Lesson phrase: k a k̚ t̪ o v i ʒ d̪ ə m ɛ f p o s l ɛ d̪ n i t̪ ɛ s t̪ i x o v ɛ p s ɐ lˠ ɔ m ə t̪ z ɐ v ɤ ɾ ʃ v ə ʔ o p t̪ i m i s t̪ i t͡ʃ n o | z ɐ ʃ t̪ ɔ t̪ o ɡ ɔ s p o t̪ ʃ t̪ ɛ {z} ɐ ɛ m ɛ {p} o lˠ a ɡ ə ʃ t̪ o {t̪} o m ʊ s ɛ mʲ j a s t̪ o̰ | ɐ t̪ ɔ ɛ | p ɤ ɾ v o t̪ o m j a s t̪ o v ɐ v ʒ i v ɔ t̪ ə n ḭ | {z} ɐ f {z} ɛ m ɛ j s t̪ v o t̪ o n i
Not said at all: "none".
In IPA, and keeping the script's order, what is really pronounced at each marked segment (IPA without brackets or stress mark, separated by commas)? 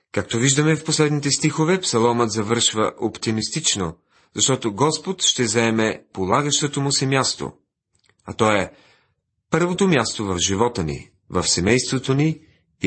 z, p, t̪, v, s